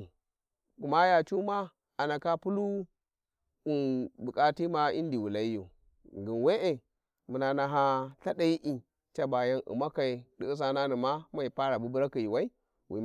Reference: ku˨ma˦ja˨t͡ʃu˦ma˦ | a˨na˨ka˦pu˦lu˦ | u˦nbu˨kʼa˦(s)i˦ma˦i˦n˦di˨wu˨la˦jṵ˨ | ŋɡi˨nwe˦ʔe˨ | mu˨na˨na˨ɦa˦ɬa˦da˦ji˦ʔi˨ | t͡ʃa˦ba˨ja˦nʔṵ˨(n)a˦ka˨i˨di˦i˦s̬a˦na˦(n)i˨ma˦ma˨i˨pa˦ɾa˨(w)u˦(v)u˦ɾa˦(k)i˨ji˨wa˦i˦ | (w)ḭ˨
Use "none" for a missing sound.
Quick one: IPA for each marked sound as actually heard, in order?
t, m, n, b, b, k, w

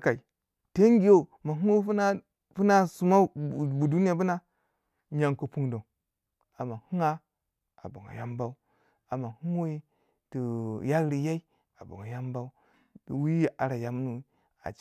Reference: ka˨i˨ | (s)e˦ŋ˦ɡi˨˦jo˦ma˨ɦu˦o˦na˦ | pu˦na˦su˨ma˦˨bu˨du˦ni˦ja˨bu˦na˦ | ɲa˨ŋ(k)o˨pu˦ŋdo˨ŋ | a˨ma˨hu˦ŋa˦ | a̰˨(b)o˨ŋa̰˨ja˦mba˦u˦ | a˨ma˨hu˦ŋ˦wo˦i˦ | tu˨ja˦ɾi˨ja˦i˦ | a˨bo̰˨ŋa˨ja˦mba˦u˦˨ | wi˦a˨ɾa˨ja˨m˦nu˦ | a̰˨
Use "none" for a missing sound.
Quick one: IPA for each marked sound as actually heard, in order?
t, k, b

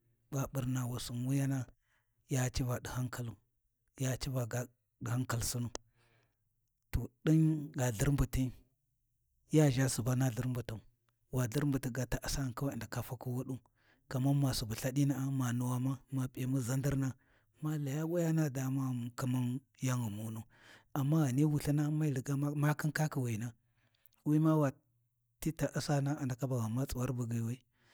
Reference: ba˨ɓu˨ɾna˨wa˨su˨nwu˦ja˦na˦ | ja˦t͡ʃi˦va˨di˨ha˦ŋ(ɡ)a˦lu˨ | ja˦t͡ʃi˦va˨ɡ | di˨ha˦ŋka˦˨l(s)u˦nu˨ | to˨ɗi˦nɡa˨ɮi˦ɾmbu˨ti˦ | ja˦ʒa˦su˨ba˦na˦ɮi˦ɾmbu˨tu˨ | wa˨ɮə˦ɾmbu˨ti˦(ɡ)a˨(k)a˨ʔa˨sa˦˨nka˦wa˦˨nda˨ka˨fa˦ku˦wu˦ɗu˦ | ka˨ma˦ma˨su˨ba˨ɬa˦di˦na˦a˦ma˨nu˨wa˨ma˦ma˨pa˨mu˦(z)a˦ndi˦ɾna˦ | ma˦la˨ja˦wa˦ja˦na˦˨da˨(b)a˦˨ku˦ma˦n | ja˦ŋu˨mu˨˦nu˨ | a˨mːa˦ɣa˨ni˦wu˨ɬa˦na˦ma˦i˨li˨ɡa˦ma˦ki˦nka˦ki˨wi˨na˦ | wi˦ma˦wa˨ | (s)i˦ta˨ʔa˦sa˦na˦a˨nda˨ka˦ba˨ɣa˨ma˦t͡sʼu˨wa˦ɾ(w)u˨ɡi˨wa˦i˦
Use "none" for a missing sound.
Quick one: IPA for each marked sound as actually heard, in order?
k, s, ɡ, t, z, m, t, b

